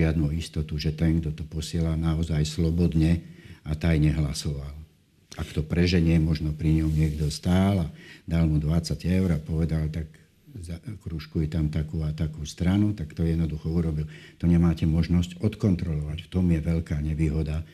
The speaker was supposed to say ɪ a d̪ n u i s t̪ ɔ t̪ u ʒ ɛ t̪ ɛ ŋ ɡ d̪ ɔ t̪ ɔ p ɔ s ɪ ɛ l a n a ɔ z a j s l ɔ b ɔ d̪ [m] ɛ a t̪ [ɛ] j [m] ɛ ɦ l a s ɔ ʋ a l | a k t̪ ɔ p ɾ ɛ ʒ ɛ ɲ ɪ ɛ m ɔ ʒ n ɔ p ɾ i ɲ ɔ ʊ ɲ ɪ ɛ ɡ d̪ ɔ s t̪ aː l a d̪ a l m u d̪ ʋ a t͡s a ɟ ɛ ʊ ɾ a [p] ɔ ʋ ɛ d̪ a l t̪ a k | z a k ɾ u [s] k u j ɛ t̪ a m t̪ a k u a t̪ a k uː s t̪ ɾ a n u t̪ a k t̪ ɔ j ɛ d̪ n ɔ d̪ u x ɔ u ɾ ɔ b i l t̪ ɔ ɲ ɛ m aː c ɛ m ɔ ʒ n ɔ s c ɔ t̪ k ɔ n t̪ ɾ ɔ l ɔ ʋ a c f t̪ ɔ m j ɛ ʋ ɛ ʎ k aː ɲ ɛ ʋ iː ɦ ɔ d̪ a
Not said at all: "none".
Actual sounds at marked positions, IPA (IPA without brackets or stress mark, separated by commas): ɲ, a, ɲ, p, ʃ